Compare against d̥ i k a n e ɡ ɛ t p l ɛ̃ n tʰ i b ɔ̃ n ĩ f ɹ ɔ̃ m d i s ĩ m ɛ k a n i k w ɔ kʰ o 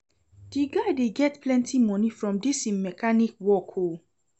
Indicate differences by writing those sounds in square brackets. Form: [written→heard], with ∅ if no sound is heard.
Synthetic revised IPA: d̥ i [k→ɡ] a [n→d] e ɡ ɛ t p l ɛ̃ n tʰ i [b→m] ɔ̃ n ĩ f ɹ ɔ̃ m d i s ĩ m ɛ k a n i k w ɔ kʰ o